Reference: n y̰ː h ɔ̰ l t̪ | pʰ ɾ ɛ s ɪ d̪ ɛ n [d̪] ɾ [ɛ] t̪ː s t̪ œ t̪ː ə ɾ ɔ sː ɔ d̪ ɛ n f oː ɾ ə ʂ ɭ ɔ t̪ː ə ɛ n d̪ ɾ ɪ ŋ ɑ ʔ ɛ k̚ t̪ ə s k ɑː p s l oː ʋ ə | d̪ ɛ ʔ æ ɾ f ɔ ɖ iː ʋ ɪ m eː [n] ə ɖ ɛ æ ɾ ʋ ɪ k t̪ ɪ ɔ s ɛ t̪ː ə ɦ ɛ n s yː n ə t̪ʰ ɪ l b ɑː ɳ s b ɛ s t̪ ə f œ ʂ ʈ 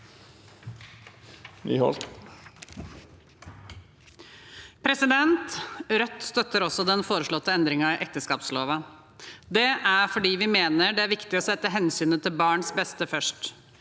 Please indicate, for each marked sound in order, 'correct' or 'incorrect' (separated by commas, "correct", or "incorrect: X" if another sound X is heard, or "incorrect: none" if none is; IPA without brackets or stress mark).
incorrect: t̪, incorrect: œ, correct